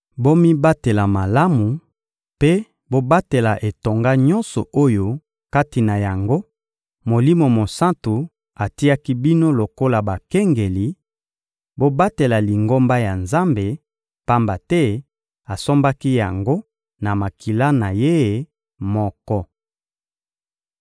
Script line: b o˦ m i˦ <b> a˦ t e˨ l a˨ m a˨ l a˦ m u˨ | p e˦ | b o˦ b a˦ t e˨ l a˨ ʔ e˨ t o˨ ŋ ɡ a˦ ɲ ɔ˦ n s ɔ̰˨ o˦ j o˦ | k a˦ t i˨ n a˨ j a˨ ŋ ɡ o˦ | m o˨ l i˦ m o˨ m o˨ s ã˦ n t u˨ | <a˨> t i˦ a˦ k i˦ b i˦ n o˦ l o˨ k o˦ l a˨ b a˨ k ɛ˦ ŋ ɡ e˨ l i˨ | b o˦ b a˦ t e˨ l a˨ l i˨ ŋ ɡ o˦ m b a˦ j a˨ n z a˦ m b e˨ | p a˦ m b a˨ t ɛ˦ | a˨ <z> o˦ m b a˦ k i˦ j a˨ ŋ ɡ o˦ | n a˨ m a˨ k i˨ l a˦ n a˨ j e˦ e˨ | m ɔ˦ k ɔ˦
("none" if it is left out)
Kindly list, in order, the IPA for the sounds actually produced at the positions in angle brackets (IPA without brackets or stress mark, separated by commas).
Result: b, a˨, s